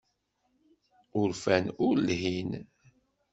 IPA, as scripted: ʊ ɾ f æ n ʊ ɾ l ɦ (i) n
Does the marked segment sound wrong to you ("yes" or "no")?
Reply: no